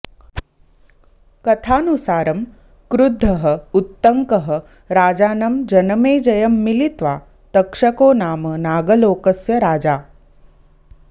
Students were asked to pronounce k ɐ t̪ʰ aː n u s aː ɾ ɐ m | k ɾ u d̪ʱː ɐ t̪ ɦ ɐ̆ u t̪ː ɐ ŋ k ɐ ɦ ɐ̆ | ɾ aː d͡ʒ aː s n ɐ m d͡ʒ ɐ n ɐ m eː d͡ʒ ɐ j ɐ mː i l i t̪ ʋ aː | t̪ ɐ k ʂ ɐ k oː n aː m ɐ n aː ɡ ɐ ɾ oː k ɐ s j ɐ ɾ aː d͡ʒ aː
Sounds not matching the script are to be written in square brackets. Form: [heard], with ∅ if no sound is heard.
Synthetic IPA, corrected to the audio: k ɐ t̪ʰ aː n u s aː ɾ ɐ m | k ɾ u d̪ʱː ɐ [∅] ɦ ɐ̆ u t̪ː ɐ ŋ k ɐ ɦ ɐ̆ | ɾ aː d͡ʒ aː [∅] n ɐ m d͡ʒ ɐ n ɐ m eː d͡ʒ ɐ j ɐ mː i l i t̪ ʋ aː | t̪ ɐ k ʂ ɐ k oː n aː m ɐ n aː ɡ ɐ [l] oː k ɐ s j ɐ ɾ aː d͡ʒ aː